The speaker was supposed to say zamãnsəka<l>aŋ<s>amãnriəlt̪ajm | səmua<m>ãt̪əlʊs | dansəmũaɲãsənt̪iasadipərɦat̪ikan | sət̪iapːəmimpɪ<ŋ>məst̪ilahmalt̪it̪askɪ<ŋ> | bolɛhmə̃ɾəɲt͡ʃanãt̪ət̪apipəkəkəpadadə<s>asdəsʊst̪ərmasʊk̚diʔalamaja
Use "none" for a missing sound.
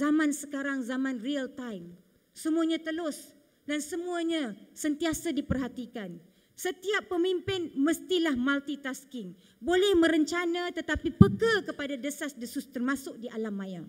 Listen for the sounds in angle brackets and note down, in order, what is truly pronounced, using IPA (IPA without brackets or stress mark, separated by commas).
ɾ, z, ɲ, n, ŋ, s